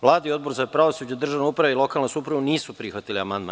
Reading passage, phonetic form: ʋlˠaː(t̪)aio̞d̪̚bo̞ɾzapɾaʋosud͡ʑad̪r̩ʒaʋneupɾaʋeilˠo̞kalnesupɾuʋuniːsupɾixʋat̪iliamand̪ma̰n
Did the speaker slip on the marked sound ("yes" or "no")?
yes